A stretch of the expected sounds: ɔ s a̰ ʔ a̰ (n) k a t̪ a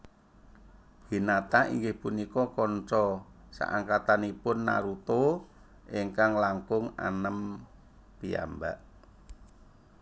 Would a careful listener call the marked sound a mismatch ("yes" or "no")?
yes